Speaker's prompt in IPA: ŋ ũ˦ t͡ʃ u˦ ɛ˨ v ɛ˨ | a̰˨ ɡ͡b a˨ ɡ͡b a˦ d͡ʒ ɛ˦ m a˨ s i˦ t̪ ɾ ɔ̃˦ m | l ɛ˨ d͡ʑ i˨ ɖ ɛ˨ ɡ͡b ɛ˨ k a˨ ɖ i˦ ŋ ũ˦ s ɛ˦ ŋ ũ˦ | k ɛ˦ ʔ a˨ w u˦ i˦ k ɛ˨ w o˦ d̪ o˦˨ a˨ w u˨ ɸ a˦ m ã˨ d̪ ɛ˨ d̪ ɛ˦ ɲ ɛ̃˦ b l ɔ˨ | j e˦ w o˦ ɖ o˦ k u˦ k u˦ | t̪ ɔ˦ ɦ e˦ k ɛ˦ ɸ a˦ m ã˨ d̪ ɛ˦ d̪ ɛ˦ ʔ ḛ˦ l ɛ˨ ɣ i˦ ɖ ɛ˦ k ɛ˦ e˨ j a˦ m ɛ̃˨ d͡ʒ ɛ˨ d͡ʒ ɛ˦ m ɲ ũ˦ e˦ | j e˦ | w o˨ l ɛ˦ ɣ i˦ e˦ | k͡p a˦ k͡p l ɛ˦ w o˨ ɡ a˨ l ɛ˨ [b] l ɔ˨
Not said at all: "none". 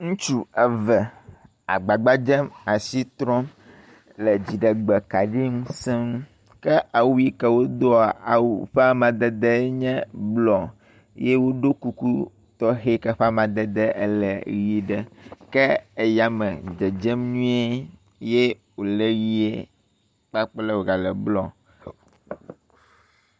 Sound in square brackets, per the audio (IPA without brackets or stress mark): b